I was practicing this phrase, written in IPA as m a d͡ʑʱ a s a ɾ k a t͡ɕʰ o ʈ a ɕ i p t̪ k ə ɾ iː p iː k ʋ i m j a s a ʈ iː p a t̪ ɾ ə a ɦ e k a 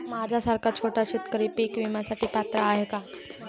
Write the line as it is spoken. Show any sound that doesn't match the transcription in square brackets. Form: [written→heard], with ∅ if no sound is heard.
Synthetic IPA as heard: m a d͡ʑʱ a s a ɾ k a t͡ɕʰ o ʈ a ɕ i [p→∅] t̪ k ə ɾ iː p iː k ʋ i m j a s a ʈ iː p a t̪ ɾ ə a ɦ e k a